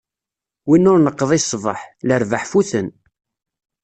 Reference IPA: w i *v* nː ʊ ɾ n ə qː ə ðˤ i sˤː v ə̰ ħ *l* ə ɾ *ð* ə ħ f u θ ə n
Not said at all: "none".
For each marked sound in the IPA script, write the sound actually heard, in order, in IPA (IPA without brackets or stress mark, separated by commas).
none, l, v